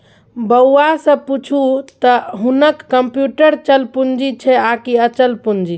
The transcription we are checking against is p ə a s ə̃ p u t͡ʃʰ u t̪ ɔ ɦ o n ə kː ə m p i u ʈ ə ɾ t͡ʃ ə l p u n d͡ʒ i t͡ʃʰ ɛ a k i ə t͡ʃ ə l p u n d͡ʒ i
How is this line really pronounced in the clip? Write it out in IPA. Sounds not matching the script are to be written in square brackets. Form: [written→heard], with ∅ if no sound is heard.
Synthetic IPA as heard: [p→b] ə a s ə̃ p u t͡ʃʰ u t̪ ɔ ɦ [o→u] n ə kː ə m p [i→j] u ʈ ə ɾ t͡ʃ ə l p u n d͡ʒ i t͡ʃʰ ɛ a k i ə t͡ʃ ə l p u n d͡ʒ i